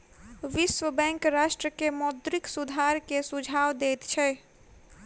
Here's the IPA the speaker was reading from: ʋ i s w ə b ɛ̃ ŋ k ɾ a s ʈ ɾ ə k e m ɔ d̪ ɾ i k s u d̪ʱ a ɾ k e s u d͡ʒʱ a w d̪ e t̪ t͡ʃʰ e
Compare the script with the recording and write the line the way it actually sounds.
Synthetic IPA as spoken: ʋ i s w ə b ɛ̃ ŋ k ɾ a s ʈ ɾ ə k e m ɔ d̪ ɾ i k s u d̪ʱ a ɾ k e s u d͡ʒʱ a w d̪ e t̪ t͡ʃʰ ɛ

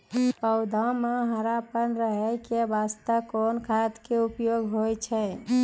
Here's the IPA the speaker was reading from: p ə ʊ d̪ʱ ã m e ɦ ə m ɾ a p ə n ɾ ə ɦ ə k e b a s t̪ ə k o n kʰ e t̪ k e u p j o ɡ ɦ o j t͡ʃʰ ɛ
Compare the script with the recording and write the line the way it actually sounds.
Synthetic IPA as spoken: p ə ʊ d̪ʱ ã m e ɦ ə ɾ a p ə n ɾ ə ɦ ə k e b a s t̪ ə k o n kʰ a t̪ k e u p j o ɡ ɦ o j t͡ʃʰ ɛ

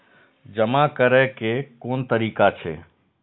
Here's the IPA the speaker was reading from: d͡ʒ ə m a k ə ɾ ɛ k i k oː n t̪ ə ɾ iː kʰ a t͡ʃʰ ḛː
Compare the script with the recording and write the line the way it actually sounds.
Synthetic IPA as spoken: d͡ʒ ə m a k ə ɾ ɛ k e k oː n t̪ ə ɾ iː k a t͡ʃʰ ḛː

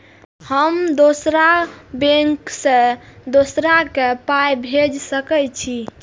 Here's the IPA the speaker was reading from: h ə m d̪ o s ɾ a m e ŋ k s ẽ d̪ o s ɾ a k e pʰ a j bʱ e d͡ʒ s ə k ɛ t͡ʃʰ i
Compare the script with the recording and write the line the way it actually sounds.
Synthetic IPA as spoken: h ə m d̪ o s ɾ a b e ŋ k s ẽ d̪ o s ɾ a k e p a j bʱ e d͡ʒ s ə k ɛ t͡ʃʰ i

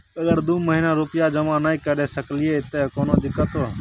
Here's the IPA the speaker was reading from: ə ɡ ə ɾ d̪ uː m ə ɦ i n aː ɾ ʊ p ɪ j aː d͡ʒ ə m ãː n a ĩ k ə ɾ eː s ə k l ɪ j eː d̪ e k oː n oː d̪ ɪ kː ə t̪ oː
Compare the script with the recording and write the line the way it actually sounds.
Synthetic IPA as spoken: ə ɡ ə ɾ d̪ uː m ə ɦ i n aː ɾ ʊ p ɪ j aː d͡ʒ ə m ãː n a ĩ k ə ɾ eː s ə k l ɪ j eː t̪ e k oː n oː d̪ ɪ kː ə t̪ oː

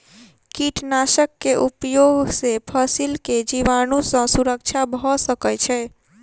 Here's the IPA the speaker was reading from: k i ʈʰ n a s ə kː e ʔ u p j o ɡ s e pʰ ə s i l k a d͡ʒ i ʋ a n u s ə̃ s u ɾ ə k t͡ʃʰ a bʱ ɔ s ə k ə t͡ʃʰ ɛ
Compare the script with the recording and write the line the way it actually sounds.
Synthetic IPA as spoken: k i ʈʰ n a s ə kː e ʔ u p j o ɡ s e pʰ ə s i l k e d͡ʒ i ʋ a n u s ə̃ s u ɾ ə k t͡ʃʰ a bʱ ɔ s ə k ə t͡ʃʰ ɛ

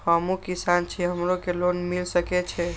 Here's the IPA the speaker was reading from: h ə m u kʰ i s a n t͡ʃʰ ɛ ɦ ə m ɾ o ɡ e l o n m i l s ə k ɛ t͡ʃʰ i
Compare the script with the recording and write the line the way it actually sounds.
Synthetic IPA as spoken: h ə m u k i s a n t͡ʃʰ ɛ ɦ ə m ɾ o k e l o n m i l s ə k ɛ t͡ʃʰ ɛ

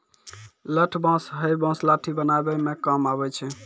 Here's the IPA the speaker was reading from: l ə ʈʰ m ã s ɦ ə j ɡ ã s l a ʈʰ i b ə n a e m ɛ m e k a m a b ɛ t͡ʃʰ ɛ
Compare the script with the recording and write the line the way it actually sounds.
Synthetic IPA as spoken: l ə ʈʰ b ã s ɦ ə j b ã s l a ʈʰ i b ə n a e b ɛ m e k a m a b ɛ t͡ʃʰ ɛ

